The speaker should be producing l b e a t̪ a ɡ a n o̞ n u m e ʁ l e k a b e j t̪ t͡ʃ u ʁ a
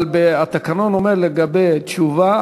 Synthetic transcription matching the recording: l b e a t̪ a k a n o̞ n o m e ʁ l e ɡ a b e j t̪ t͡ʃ u v a